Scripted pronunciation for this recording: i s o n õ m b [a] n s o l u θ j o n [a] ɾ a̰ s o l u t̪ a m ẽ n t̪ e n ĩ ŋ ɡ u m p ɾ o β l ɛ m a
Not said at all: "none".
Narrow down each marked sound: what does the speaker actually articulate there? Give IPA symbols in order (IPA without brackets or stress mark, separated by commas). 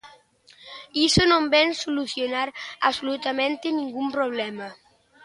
ɛ, a